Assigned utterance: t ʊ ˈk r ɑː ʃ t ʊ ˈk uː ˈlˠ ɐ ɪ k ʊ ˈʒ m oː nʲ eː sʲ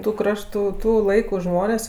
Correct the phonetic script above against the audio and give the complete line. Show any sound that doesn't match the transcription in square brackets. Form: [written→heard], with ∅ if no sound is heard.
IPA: t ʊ ˈk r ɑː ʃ t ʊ [ˈk→ˈt] uː ˈlˠ ɐ ɪ k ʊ ˈʒ m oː nʲ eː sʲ

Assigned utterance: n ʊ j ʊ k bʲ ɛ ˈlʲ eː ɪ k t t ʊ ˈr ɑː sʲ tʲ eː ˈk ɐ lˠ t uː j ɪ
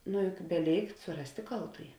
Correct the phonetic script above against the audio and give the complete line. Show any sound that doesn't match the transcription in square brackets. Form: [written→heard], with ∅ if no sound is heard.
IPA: n ʊ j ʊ k bʲ ɛ ˈlʲ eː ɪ k t [t→s] ʊ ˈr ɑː sʲ tʲ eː ˈk ɐ lˠ t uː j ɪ

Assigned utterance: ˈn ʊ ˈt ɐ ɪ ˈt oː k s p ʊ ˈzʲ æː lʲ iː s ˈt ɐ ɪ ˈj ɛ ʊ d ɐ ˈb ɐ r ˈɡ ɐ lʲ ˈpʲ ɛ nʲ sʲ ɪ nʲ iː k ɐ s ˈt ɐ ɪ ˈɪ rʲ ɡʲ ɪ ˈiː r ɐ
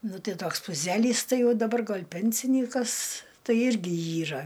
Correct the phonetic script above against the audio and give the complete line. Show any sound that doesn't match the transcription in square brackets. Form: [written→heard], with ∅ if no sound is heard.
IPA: ˈn ʊ ˈt ɐ ɪ ˈt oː k s p ʊ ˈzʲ æː lʲ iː s ˈt ɐ ɪ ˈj ɛ ʊ d ɐ ˈb ɐ r ˈɡ ɐ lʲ ˈpʲ ɛ nʲ sʲ ɪ nʲ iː k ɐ s ˈt ɐ ɪ ˈɪ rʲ ɡʲ ɪ ˈiː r ɐ

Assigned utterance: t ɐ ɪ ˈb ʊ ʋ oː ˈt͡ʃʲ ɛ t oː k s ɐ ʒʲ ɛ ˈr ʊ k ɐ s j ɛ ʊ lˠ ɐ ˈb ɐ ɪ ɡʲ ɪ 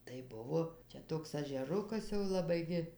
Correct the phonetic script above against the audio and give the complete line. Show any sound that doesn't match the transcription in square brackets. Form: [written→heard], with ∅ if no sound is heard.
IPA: t ɐ ɪ ˈb ʊ ʋ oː ˈt͡ʃʲ ɛ t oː k s ɐ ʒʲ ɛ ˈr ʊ k ɐ s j ɛ ʊ lˠ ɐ ˈb ɐ ɪ ɡʲ ɪ

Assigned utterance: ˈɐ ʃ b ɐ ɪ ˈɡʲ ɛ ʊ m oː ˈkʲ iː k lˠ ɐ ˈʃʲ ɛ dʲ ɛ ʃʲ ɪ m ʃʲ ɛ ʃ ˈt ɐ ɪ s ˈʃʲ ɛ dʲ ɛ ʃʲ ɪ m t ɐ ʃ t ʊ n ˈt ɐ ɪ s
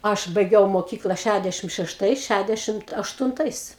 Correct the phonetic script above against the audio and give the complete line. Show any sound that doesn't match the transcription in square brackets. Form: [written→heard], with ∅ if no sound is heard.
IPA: ˈɐ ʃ b ɐ ɪ ˈɡʲ ɛ ʊ m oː ˈkʲ iː k lˠ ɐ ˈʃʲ [ɛ→æ] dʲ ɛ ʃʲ ɪ m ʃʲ ɛ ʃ ˈt ɐ ɪ s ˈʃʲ [ɛ→æ] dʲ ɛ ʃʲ ɪ m t ɐ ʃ t ʊ n ˈt ɐ ɪ s

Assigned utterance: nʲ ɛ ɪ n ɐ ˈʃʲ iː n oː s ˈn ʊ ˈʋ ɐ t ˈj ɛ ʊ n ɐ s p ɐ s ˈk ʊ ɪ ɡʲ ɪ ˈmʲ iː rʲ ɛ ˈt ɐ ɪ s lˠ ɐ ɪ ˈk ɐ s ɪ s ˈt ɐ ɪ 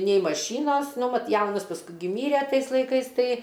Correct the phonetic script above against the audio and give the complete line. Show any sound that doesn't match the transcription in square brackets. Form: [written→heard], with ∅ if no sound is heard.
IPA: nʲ ɛ ɪ [n→m] ɐ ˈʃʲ iː n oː s ˈn ʊ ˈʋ ɐ t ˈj ɛ ʊ n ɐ s p ɐ s ˈk ʊ ɪ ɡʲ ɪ ˈmʲ iː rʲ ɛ ˈt ɐ ɪ s lˠ ɐ ɪ ˈk ɐ [s→∅] ɪ s ˈt ɐ ɪ

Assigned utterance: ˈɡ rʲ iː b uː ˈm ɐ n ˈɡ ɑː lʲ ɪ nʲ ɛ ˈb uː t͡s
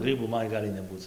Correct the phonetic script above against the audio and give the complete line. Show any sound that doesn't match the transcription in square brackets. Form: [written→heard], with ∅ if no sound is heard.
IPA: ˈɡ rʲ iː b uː ˈm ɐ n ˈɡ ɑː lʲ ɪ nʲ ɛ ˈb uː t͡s

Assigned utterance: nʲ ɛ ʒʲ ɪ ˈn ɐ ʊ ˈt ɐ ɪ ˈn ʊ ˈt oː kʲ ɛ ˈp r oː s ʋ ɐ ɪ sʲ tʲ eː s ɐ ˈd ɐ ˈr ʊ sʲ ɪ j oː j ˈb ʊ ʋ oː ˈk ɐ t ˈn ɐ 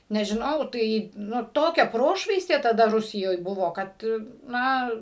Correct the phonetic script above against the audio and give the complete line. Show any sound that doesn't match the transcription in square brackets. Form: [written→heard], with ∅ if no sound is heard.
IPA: nʲ ɛ ʒʲ ɪ ˈn ɐ ʊ ˈt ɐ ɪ ˈn ʊ ˈt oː kʲ ɛ ˈp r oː [s→ʃ] ʋ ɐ ɪ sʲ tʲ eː [s→t] ɐ ˈd ɐ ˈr ʊ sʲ ɪ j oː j ˈb ʊ ʋ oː ˈk ɐ t ˈn ɐ

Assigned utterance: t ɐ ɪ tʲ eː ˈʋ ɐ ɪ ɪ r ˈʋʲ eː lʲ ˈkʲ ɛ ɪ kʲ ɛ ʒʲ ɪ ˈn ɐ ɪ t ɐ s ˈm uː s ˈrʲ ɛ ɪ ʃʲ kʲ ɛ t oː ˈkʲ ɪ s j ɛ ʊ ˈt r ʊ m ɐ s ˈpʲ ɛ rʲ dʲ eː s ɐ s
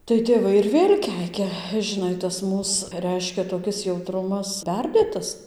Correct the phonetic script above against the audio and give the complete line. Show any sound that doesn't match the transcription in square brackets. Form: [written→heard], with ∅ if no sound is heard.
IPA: t ɐ ɪ tʲ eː ˈʋ ɐ ɪ ɪ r ˈʋʲ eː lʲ ˈkʲ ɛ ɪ kʲ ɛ ʒʲ ɪ ˈn ɐ ɪ t ɐ s ˈm uː s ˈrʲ ɛ ɪ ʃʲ kʲ ɛ t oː ˈkʲ ɪ s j ɛ ʊ ˈt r ʊ m ɐ s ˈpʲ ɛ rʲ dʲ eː [s→t] ɐ s

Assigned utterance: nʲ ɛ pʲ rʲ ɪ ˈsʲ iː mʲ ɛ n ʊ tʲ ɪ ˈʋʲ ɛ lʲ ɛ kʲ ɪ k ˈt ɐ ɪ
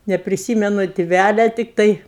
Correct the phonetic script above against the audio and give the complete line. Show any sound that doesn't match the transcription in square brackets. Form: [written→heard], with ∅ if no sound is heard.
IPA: nʲ ɛ pʲ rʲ ɪ ˈsʲ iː mʲ ɛ n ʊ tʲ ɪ ˈʋʲ [ɛ→æ] lʲ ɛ [kʲ→tʲ] ɪ k ˈt ɐ ɪ

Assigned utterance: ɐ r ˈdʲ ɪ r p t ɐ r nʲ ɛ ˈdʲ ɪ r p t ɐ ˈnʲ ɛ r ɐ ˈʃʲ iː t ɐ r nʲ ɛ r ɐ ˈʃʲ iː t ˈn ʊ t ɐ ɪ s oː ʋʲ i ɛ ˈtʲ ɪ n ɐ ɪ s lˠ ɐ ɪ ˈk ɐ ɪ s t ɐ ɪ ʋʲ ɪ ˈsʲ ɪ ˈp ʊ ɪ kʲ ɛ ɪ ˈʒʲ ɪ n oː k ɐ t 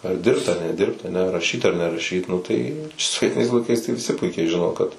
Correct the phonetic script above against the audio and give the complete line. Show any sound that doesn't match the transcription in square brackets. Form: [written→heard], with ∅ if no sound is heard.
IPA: ɐ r ˈdʲ ɪ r p t ɐ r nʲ ɛ ˈdʲ ɪ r p t ɐ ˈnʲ ɛ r ɐ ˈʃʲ iː t ɐ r nʲ ɛ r ɐ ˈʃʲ iː t ˈn ʊ t ɐ ɪ s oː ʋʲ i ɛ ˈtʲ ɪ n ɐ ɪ s lˠ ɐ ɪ ˈk ɐ ɪ s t ɐ ɪ ʋʲ ɪ ˈsʲ ɪ ˈp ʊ ɪ kʲ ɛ ɪ ˈʒʲ ɪ n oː k ɐ t

